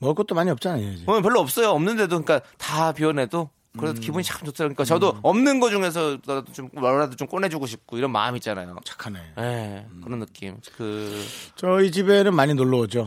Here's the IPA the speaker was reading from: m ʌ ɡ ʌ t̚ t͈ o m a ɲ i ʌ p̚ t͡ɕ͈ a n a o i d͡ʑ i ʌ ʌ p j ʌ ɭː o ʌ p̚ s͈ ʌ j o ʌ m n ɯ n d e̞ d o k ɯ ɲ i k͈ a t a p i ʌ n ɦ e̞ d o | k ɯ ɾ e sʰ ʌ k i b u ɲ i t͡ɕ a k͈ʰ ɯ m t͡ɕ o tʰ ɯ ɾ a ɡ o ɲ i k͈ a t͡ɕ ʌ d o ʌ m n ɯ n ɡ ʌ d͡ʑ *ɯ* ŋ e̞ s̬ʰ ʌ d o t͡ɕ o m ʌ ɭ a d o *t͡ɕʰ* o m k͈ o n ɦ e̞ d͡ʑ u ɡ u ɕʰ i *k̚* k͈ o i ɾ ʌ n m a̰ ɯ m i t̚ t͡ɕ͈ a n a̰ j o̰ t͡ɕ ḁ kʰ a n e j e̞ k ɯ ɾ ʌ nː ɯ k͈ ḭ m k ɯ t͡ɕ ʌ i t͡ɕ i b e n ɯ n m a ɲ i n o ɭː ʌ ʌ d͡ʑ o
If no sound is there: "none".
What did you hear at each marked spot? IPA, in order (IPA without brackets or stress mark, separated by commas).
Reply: u, t͡ɕ, p̚